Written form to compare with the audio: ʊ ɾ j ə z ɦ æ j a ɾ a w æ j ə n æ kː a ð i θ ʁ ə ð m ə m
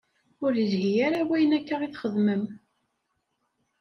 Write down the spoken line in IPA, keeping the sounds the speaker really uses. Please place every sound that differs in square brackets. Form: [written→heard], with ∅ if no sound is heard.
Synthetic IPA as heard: ʊ ɾ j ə z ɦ [æ→i] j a ɾ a w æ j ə n æ kː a [ð→ʁ] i θ [ʁ→χ] ə ð m ə m